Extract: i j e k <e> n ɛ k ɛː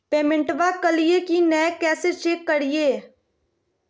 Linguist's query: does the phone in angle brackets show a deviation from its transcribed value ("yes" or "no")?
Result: yes